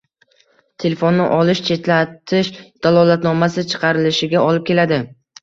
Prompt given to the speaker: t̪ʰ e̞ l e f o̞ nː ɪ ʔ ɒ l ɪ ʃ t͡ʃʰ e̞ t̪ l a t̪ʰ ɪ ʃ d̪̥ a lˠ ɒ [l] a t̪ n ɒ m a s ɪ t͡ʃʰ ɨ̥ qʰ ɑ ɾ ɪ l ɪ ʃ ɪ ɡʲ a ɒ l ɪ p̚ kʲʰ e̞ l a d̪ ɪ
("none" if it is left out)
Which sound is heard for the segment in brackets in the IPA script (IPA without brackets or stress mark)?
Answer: l